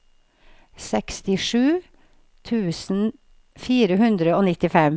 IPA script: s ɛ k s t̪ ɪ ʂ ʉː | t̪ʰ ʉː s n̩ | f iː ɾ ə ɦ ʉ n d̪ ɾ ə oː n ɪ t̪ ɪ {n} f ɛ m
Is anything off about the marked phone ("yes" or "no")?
yes